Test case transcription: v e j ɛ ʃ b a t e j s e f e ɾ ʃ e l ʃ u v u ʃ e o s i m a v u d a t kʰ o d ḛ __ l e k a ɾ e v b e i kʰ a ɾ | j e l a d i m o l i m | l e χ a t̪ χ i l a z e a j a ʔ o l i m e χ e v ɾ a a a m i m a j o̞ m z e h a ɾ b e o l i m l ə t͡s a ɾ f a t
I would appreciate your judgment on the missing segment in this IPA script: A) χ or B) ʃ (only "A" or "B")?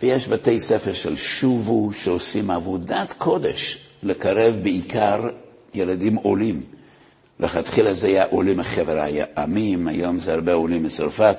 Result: B